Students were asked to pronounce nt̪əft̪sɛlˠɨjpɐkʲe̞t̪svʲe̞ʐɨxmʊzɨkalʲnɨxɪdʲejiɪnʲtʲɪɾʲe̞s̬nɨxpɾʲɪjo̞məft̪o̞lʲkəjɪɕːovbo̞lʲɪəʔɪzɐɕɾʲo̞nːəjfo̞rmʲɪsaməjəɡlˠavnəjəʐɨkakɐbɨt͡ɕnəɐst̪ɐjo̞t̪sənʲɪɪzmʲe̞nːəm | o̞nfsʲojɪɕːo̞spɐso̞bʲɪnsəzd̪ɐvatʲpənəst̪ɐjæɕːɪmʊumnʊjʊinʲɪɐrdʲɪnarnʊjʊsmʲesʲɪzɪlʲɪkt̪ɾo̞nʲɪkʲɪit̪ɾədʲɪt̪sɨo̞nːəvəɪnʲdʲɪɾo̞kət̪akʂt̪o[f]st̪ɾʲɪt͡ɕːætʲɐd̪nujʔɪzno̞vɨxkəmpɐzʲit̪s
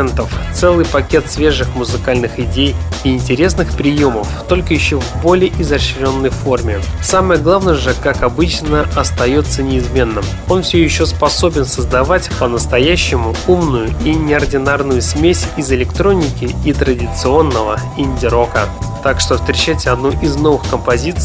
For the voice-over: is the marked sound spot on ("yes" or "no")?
yes